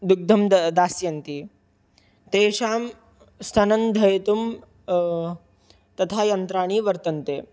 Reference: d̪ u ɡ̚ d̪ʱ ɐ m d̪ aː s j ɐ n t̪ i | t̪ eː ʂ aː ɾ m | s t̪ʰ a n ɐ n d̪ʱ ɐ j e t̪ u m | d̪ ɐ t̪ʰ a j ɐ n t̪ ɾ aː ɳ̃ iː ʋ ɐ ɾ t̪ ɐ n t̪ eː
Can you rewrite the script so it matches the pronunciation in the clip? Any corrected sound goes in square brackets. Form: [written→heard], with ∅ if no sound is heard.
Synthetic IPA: d̪ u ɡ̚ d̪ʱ ɐ m d̪ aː s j ɐ n t̪ i | t̪ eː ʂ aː [ɾ→∅] m | s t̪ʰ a n ɐ n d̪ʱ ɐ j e t̪ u m | [d̪→t̪] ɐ t̪ʰ a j ɐ n t̪ ɾ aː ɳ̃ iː ʋ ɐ ɾ t̪ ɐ n t̪ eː